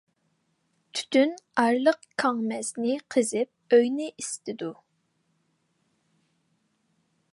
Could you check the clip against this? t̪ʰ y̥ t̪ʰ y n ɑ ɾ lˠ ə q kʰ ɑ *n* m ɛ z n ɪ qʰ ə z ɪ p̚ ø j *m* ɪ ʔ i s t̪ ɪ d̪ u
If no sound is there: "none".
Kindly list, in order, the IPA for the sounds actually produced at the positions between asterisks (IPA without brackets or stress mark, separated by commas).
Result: ŋ, n